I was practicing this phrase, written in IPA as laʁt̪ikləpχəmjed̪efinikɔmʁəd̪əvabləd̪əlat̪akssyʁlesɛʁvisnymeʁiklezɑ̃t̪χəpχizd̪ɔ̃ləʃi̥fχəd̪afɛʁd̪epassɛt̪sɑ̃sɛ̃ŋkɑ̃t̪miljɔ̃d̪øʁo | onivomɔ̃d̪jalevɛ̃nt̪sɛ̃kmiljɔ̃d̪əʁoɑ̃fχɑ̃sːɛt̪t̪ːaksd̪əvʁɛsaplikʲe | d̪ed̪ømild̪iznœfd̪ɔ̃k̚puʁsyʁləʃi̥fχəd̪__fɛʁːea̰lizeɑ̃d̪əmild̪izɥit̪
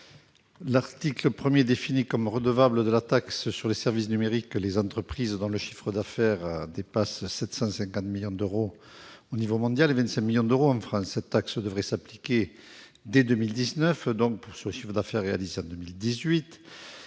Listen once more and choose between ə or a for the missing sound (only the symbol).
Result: a